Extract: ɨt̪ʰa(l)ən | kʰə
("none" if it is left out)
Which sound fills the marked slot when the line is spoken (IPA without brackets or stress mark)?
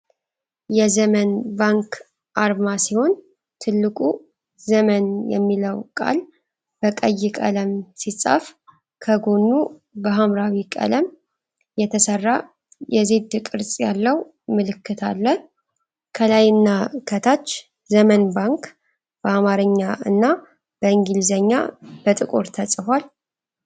lː